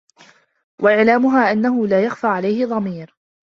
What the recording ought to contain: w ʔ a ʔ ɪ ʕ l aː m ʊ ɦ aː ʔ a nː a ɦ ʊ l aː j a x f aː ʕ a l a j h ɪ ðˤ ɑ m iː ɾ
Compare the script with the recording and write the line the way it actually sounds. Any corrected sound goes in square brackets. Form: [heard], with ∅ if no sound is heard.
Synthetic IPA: w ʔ a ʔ ɪ ʕ l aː m ʊ ɦ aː ʔ a nː a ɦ ʊ l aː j a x f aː ʕ a l a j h ɪ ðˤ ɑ m iː ɾ